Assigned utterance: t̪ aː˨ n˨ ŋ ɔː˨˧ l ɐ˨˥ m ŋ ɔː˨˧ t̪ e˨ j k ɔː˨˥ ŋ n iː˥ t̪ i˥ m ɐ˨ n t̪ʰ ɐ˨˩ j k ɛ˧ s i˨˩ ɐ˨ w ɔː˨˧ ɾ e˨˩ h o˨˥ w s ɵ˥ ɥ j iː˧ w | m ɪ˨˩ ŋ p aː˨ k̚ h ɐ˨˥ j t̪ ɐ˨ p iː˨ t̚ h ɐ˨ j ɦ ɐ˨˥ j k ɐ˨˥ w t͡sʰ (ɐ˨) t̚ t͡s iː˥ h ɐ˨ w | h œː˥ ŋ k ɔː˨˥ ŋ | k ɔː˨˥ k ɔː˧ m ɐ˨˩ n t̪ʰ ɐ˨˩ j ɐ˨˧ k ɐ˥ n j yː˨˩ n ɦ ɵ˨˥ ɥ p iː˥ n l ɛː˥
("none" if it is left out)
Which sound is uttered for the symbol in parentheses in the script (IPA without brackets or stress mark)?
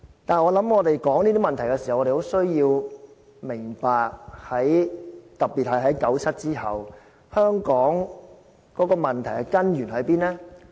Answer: ɐ˥